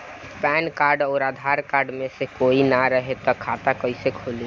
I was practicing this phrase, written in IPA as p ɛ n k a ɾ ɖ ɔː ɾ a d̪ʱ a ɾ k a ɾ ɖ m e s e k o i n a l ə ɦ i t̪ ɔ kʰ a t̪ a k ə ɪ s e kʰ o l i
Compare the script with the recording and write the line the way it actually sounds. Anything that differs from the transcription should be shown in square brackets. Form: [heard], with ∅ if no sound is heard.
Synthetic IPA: p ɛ n k a ɾ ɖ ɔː ɾ a d̪ʱ a ɾ k a ɾ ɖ m e s e k o i n a [ɾ] ə ɦ [e] t̪ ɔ kʰ a t̪ a k ə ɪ s e kʰ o l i